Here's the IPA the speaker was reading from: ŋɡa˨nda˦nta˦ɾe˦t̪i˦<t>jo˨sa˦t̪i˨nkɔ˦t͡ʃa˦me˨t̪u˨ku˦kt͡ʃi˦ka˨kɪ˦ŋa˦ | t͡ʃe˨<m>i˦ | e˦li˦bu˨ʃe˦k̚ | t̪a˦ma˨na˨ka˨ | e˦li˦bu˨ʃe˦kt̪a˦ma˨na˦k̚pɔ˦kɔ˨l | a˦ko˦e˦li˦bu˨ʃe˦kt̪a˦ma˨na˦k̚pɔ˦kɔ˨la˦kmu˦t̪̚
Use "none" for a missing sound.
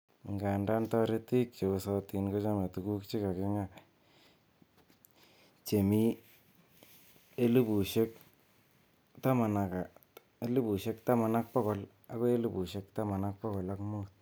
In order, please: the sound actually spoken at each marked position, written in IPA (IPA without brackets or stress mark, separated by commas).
k, m